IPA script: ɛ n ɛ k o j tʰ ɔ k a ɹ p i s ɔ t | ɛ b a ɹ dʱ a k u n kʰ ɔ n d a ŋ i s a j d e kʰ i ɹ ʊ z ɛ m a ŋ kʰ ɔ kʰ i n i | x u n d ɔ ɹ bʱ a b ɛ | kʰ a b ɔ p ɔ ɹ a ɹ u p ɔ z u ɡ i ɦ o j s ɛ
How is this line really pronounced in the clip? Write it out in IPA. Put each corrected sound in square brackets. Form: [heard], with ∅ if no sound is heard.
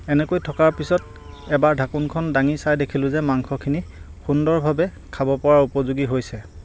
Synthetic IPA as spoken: ɛ n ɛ k o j tʰ ɔ k a ɹ p i s ɔ t | ɛ b a ɹ dʱ a k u n kʰ ɔ n d a ŋ i s a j d e kʰ i [l] ʊ z ɛ m a ŋ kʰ ɔ kʰ i n i | x u n d ɔ ɹ bʱ a b ɛ | kʰ a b ɔ p ɔ ɹ a ɹ u p ɔ z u ɡ i ɦ o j s ɛ